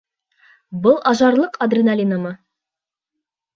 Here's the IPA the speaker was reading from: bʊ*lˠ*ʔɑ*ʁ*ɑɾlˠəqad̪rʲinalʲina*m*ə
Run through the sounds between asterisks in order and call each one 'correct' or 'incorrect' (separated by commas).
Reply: correct, incorrect, correct